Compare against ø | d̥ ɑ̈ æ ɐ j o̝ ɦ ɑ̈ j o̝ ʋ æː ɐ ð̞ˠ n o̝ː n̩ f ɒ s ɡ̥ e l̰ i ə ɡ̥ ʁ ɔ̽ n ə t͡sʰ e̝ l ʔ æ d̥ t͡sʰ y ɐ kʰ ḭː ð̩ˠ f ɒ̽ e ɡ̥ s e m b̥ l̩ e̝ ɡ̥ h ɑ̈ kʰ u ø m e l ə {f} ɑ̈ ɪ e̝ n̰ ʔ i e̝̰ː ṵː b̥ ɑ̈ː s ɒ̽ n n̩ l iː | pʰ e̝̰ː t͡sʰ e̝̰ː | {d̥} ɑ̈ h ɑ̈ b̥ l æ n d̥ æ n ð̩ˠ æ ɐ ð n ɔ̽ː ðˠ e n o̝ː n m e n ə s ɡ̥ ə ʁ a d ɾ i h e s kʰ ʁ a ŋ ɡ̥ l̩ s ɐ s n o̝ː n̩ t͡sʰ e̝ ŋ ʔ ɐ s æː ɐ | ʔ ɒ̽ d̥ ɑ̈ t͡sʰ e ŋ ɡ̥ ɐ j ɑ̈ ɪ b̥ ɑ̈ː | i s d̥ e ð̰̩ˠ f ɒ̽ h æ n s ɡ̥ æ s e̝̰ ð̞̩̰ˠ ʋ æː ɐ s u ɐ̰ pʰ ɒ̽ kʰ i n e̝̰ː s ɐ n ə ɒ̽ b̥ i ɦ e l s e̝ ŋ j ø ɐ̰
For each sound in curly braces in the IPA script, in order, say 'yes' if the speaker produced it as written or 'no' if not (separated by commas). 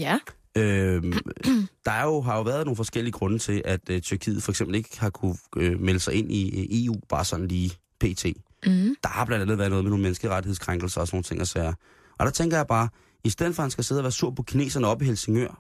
no, yes